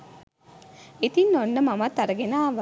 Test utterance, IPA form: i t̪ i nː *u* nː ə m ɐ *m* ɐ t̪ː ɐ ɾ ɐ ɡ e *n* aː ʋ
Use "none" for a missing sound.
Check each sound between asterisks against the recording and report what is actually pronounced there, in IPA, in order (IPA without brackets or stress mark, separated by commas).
o, m, n